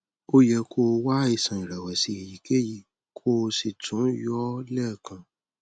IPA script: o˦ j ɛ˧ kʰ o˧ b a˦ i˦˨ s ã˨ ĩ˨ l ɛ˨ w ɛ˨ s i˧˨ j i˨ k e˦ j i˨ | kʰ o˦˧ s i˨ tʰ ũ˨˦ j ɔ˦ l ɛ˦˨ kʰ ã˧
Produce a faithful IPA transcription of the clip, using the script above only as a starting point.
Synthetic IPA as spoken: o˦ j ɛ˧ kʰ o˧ w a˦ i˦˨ s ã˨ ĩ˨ ɾ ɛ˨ w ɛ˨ s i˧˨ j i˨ k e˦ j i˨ | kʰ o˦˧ s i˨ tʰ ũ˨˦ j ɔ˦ l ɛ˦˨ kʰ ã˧